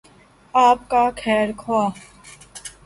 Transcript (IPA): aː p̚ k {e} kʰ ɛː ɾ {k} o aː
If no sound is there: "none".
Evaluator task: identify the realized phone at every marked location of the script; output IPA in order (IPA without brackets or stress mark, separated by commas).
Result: a, kʰ